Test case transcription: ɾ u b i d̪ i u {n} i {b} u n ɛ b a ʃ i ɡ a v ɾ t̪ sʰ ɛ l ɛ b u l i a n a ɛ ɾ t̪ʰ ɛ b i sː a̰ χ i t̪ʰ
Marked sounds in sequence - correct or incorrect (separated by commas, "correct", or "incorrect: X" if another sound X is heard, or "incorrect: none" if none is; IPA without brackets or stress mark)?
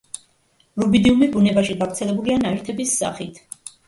incorrect: m, correct